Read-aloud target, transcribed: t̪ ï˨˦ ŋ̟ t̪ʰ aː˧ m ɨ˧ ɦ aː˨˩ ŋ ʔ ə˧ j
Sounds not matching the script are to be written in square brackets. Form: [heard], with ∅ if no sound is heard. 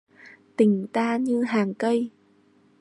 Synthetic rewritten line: t̪ [ï˨˩] ŋ̟ [t̪] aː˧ [ɲ] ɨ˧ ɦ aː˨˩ ŋ [k] ə˧ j